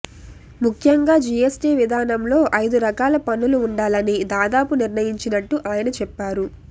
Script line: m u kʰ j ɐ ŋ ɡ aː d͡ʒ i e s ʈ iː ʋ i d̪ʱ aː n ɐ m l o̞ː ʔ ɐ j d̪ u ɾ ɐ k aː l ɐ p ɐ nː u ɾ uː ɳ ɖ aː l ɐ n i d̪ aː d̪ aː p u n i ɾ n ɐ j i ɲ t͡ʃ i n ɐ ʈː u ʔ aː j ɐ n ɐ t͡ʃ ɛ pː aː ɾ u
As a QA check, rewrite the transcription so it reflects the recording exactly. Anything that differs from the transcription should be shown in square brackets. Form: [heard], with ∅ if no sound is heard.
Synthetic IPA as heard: m u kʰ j ɐ ŋ ɡ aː d͡ʒ i e s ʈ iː ʋ i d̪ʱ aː n ɐ m l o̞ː ʔ ɐ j d̪ u ɾ ɐ k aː l ɐ p ɐ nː u [l] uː ɳ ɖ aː l ɐ n i d̪ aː d̪ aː p u n i ɾ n ɐ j i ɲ t͡ʃ i n ɐ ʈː u ʔ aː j ɐ n ɐ t͡ʃ ɛ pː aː ɾ u